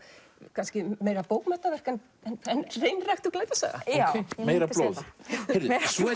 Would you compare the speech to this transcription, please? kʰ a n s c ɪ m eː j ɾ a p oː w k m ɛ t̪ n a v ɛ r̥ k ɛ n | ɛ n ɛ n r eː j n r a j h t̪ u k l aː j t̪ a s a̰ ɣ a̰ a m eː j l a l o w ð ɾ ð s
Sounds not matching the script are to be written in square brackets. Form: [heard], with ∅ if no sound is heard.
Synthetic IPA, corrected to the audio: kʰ a n s c ɪ m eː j ɾ a p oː w k m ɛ t̪ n a v ɛ r̥ k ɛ n | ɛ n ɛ n r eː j n r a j [x] t̪ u k l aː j t̪ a s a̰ ɣ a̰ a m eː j [ɾ] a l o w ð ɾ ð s